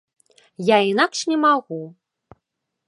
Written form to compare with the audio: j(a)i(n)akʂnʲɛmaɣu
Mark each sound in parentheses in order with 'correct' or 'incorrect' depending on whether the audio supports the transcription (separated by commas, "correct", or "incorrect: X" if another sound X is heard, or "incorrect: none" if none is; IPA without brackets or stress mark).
correct, correct